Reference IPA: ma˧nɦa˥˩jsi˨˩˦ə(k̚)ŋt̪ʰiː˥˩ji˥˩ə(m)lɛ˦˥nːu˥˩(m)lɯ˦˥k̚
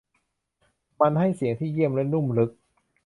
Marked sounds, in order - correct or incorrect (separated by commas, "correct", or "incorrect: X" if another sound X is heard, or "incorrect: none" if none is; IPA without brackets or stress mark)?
incorrect: none, correct, correct